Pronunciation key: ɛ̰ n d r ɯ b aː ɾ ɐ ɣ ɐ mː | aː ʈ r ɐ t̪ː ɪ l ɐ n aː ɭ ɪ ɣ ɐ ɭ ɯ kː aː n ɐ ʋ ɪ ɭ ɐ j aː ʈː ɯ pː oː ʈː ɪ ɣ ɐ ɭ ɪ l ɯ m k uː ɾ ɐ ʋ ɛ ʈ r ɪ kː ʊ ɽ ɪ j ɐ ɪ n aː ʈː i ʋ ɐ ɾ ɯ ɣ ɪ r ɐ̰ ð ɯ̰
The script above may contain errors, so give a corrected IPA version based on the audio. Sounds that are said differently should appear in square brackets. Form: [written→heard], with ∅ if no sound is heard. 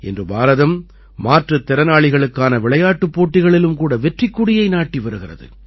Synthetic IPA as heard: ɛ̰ n d r ɯ b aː ɾ ɐ [ɣ→ð] ɐ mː | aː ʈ r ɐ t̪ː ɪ [l→ɾ] ɐ n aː ɭ ɪ ɣ ɐ ɭ ɯ kː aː n ɐ ʋ ɪ ɭ ɐ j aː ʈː ɯ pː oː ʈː ɪ ɣ ɐ ɭ ɪ l ɯ m k uː [ɾ→ɽ] ɐ ʋ ɛ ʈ r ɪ kː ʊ ɽ ɪ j ɐ ɪ n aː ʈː i ʋ ɐ ɾ ɯ ɣ ɪ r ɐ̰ ð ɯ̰